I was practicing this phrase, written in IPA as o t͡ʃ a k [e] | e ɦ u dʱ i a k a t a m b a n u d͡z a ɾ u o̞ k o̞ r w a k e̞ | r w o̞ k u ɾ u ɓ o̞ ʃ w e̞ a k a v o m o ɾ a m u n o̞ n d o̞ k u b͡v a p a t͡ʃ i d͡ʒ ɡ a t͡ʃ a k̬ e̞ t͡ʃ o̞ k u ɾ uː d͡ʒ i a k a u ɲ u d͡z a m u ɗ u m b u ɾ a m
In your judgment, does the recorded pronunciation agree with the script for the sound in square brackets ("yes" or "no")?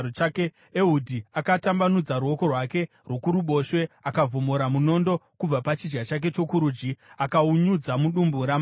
yes